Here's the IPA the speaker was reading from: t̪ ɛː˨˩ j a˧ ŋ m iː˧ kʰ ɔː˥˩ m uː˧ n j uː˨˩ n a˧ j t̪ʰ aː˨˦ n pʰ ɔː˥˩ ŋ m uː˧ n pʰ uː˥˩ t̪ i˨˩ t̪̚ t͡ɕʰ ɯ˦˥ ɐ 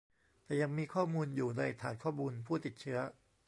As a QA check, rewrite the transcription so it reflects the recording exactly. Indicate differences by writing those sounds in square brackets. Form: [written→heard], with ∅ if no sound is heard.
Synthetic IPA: t̪ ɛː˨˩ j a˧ ŋ m iː˧ kʰ ɔː˥˩ m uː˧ n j uː˨˩ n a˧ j t̪ʰ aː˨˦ n [pʰ→kʰ] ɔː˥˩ [ŋ→∅] m uː˧ n pʰ uː˥˩ t̪ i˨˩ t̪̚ t͡ɕʰ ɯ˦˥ ɐ